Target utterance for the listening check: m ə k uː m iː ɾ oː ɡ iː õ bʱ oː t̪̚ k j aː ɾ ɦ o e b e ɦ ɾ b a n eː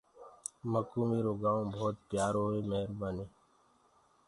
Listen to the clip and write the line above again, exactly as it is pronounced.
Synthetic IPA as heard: m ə k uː m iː ɾ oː ɡ aː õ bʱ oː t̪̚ p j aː ɾ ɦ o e m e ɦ ɾ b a n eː